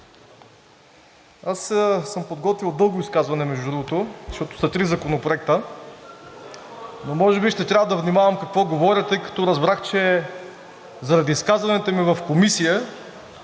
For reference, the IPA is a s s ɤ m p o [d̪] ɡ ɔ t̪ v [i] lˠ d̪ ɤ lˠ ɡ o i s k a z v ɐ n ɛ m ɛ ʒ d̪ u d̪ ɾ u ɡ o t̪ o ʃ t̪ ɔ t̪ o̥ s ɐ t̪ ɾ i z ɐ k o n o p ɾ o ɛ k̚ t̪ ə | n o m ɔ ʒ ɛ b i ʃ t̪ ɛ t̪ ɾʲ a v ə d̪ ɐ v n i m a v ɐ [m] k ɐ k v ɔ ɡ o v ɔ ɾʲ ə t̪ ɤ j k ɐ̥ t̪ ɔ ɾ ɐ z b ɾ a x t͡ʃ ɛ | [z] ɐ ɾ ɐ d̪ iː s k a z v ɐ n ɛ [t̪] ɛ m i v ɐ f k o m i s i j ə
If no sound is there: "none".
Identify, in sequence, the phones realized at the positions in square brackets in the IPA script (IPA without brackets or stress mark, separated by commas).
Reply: d̪, i, m, z, t̪